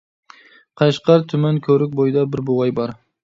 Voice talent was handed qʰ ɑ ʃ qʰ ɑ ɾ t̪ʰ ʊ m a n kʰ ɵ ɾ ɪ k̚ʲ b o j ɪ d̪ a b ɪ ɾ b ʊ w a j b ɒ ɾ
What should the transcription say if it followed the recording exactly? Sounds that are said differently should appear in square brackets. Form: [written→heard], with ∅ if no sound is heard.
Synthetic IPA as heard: qʰ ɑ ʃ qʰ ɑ ɾ t̪ʰ ʊ m a n kʰ ɵ ɾ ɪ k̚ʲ b o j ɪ d̪ a b ɪ ɾ b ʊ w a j b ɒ ɾ